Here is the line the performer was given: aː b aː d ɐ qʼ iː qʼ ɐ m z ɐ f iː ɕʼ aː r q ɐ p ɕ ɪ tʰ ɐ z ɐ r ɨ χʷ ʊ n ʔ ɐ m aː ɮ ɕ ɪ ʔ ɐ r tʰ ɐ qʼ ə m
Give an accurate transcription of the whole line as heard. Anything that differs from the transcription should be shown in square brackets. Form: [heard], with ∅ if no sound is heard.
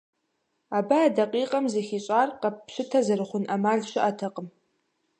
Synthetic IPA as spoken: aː b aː d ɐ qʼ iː qʼ ɐ m z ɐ [x] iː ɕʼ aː r q ɐ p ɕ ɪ tʰ ɐ z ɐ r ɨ χʷ ʊ n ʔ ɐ m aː ɮ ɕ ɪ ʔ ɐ [∅] tʰ ɐ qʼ ə m